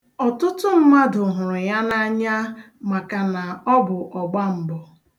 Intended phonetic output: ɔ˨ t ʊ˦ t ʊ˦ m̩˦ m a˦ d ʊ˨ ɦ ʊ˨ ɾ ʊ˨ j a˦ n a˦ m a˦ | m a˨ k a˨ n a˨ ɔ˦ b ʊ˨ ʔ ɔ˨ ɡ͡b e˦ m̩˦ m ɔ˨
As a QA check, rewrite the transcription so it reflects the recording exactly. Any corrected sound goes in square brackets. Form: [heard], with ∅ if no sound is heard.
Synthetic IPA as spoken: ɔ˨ t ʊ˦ t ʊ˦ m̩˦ m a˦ d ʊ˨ ɦ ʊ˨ ɾ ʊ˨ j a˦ n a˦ [ɲ] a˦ | m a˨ k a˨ n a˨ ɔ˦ b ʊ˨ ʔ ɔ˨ ɡ͡b [a˦] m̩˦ [b] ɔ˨